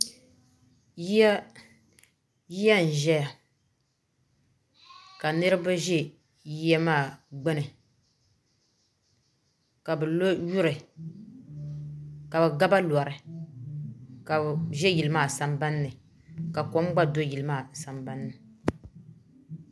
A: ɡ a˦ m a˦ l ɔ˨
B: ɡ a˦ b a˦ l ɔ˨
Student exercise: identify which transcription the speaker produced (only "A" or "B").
B